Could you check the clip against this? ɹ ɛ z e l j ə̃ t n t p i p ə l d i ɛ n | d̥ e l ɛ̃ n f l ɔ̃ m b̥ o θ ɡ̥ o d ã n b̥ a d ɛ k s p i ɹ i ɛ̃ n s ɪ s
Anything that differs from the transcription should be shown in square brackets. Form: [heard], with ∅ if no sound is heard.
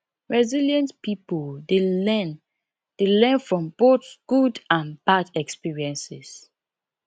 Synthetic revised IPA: ɹ ɛ z [i] l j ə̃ [∅] n t p i p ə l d [e] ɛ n | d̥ e l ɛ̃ n f [ɹ] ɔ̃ m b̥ o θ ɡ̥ [u] d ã n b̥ a d ɛ k s p i ɹ i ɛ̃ n s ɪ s

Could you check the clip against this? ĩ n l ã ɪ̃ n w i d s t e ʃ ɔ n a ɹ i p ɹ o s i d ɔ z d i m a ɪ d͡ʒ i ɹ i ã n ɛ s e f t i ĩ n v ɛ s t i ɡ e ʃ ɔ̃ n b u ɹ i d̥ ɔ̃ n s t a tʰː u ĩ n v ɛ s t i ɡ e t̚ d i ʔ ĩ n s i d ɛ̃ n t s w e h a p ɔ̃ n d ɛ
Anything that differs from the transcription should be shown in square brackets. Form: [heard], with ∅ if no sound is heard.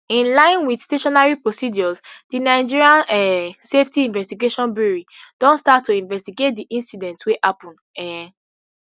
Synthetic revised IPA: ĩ n l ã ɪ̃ n w i d s t e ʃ ɔ n a ɹ i p ɹ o s i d ɔ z d i [n] a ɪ d͡ʒ i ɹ i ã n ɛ s e f t i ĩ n v ɛ s t i ɡ e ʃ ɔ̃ n b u ɹ i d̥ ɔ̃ n s t a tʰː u ĩ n v ɛ s t i ɡ e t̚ d i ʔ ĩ n s i d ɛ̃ n t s w e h a p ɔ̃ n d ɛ

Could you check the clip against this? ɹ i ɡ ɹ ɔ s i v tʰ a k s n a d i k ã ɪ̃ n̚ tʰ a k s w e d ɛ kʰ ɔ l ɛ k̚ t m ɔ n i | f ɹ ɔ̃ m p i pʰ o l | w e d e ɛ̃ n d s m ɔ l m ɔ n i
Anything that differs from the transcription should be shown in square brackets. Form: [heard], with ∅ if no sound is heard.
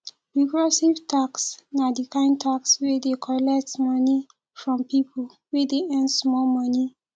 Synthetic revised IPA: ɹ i ɡ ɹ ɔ s i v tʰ a k s n a d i k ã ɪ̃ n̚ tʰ a k s w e d [e] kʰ ɔ l ɛ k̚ t m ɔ n i | f ɹ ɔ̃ m p i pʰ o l | w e d e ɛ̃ n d s m ɔ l m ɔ n i

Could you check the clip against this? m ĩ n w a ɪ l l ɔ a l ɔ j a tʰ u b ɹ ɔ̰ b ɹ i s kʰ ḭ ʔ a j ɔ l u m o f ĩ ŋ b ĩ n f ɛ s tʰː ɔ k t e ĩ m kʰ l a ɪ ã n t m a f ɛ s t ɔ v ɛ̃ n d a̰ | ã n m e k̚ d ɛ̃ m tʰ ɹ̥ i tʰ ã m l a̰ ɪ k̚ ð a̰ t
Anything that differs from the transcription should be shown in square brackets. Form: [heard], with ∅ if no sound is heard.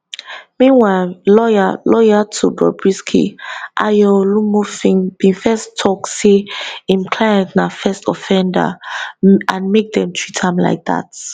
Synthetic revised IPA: m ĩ n w a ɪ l l ɔ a l ɔ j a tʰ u b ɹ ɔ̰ b ɹ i s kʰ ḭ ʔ a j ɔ l u m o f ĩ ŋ b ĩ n f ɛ s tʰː ɔ k [s] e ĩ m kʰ l a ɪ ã n t [n] a f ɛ s t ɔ [f] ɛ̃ n d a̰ | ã n m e k̚ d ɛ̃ m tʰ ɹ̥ i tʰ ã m l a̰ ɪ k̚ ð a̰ t

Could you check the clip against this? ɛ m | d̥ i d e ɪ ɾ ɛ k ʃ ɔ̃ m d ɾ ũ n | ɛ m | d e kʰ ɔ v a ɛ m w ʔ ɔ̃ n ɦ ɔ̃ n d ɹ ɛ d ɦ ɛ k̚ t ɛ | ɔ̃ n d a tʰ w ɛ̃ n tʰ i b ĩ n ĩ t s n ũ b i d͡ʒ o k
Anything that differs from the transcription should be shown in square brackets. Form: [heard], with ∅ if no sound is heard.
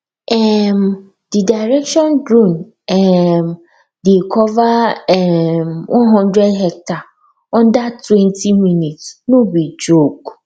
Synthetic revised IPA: ɛ m | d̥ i d [a] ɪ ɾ ɛ k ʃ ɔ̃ [n] d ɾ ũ n | ɛ m | d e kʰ ɔ v a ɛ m w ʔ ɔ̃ n ɦ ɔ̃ n d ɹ ɛ d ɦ ɛ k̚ t [a] | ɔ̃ n d a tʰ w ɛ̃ n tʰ i [m] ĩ n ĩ t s n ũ b i d͡ʒ o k

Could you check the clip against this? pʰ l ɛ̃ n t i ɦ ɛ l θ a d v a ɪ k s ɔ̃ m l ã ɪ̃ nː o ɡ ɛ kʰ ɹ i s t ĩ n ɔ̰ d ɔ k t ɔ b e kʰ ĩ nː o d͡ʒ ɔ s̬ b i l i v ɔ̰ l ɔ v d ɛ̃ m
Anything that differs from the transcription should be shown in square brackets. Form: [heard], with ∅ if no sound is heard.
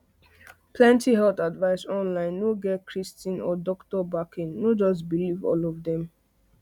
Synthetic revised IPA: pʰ l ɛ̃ n t i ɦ ɛ l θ a d v a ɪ [∅] s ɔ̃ [n] l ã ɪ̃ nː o ɡ ɛ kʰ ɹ i s t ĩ n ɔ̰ d ɔ k t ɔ b [a] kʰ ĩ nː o d͡ʒ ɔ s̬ b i l i v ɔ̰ l ɔ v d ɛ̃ m

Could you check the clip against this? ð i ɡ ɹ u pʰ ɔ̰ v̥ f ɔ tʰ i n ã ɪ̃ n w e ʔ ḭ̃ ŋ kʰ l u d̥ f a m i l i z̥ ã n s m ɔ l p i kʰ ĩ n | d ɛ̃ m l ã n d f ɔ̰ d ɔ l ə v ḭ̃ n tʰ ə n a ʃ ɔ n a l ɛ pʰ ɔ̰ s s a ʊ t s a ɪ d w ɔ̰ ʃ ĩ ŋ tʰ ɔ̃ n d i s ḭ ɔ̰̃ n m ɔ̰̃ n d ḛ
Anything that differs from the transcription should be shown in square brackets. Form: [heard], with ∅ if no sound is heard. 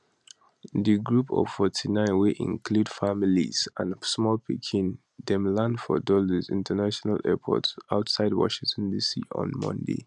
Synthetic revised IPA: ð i ɡ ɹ u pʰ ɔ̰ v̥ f ɔ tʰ i n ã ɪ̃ n w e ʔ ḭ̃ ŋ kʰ l u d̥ f a m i l i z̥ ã n s m ɔ l p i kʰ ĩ n | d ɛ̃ m l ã n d f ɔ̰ d ɔ l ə [z] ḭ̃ n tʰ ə n a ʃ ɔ n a l ɛ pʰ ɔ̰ [t] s a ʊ t s a ɪ d w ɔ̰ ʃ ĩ ŋ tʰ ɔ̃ n d i s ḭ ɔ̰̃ n m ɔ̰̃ n d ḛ

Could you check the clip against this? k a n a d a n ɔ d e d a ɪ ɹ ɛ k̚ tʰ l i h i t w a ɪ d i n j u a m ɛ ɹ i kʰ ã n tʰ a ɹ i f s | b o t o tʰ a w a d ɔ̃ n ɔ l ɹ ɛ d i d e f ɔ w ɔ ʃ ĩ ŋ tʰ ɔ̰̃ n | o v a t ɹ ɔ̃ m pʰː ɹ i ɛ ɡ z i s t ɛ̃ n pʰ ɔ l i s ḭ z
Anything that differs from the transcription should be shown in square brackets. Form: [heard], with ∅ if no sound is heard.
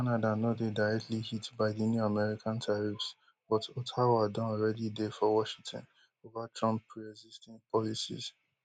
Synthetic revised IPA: k a n a d a n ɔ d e d a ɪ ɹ ɛ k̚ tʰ l i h i t [b] a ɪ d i n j u a m ɛ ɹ i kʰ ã n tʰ a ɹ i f s | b [ɔ] t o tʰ a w a d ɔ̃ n ɔ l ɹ ɛ d i d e f ɔ w ɔ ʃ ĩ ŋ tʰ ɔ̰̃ n | o v a t ɹ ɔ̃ m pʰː ɹ i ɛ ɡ z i s t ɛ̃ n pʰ ɔ l i s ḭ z

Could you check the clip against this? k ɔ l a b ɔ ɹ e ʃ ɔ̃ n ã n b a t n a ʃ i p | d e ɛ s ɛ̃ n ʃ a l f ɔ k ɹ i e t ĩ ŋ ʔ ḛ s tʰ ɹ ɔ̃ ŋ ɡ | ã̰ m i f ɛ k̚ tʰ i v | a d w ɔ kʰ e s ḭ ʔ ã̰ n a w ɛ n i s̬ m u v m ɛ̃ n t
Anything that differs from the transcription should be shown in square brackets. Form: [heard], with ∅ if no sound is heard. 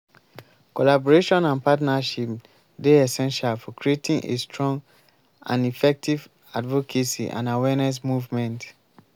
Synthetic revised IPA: k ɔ l a b ɔ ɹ e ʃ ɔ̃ n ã n [p] a t n a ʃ i p | d e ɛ s ɛ̃ n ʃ a l f ɔ k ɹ i e t ĩ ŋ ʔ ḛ s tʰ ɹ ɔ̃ ŋ ɡ | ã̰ [n] i f ɛ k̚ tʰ i v | a d [v] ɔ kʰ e s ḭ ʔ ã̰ n a w ɛ n [ɛ] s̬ m u v m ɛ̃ n t

